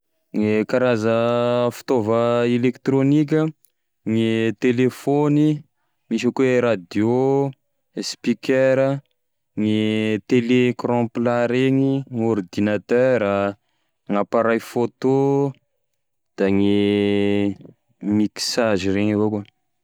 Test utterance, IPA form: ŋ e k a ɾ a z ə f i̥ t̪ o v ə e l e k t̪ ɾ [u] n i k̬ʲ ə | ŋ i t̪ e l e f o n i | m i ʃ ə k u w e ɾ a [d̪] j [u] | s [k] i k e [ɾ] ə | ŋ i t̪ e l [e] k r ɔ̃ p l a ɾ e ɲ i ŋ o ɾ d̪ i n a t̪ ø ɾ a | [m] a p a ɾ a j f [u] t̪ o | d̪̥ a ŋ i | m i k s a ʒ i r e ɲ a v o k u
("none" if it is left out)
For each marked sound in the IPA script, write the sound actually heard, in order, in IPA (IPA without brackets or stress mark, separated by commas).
o, d̪, o, p, ɾ, e, ŋ, o